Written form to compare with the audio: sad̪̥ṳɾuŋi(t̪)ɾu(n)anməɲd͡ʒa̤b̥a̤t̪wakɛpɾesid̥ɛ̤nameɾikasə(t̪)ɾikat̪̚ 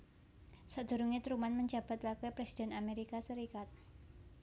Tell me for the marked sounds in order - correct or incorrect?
correct, incorrect: m, incorrect: none

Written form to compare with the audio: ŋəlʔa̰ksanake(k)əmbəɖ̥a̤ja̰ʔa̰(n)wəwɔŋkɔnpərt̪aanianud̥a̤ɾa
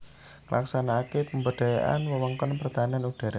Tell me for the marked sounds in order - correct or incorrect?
incorrect: p, correct

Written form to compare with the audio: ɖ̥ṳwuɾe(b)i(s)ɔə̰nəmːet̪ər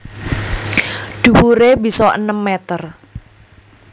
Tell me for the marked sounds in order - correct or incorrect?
correct, correct

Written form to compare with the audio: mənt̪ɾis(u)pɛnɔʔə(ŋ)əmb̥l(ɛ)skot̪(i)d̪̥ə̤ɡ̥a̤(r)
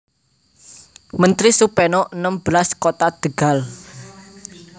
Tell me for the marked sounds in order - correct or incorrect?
correct, incorrect: n, incorrect: a, incorrect: a, incorrect: l

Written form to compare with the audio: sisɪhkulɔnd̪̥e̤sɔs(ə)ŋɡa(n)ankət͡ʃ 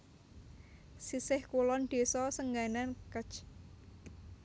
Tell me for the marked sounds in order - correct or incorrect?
correct, correct

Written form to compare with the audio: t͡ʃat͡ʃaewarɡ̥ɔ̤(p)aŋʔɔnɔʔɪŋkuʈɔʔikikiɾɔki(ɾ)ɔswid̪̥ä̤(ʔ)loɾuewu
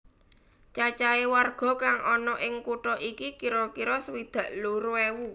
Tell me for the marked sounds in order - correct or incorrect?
incorrect: k, correct, correct

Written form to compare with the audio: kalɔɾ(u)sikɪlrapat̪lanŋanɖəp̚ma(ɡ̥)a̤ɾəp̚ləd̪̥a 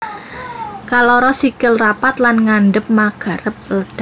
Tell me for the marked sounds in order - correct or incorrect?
incorrect: ɔ, correct

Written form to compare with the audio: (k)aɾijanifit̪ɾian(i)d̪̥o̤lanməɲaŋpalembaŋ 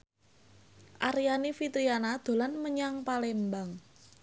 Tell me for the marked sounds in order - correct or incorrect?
incorrect: ʔ, incorrect: a

